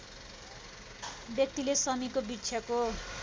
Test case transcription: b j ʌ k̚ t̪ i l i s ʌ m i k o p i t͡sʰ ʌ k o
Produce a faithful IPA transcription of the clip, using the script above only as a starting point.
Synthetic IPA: b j ʌ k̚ t̪ i l e s ʌ m i k o b i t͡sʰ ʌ k o